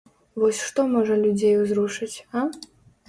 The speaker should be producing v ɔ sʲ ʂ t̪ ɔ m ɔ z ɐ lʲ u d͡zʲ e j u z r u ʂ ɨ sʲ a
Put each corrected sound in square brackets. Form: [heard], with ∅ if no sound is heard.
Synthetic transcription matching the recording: v ɔ sʲ ʂ t̪ ɔ m ɔ [ʐ] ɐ lʲ u d͡zʲ e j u z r u ʂ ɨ [t͡sʲ] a